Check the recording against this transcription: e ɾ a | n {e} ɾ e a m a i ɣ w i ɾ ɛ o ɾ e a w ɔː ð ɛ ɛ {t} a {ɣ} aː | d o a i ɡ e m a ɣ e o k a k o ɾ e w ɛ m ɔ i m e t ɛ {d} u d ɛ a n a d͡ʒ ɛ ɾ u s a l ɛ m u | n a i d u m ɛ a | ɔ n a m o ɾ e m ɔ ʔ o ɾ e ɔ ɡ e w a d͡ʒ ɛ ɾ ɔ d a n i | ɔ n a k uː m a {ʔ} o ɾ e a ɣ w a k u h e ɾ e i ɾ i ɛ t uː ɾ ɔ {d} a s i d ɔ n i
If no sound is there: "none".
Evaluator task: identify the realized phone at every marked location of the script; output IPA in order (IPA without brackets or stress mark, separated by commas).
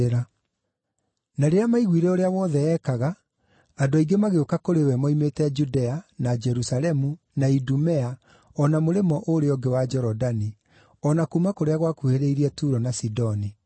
a, k, ɣ, d͡ʒ, k, n